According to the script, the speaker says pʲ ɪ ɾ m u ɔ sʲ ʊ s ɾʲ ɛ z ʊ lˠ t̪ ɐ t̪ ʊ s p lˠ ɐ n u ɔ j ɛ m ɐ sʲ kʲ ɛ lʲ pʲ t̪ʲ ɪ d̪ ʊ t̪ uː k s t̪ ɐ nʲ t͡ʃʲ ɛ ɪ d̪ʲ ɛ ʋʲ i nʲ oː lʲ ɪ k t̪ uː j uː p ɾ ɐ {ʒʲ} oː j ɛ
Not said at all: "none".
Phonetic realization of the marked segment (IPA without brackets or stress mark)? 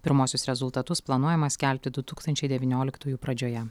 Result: d͡ʒʲ